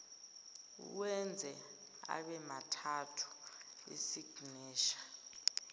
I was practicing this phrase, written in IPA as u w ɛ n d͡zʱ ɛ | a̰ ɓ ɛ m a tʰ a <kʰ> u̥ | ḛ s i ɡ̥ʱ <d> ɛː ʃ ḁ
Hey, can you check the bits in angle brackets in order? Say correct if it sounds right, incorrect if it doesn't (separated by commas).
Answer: incorrect, incorrect